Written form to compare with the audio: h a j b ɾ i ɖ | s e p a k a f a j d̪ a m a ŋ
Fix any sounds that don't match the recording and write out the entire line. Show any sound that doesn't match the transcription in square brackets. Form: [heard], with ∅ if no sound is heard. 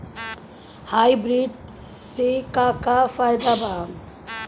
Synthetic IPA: h a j b ɾ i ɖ | s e [k] a k a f a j d̪ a [b] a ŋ